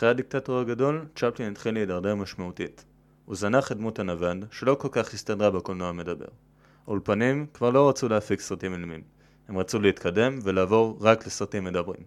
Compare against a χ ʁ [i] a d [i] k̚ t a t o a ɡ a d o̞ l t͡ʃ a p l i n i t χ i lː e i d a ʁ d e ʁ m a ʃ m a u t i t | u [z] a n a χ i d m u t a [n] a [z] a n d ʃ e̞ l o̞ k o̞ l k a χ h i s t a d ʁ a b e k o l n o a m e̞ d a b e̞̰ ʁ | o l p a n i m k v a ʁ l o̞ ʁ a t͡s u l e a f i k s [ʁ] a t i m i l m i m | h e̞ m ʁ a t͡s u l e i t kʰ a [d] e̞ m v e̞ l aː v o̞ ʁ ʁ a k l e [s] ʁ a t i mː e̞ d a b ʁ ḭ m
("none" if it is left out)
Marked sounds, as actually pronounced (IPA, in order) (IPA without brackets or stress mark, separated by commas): e, i, z, n, v, ʁ, d, s